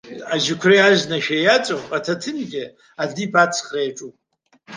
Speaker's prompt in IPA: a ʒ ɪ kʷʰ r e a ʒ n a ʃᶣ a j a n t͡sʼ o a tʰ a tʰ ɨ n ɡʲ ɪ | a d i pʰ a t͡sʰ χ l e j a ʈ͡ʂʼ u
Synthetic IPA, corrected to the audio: a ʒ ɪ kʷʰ r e a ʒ n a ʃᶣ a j a t͡sʼ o a tʰ a tʰ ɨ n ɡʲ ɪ | a d i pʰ a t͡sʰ χ r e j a ʈ͡ʂʼ u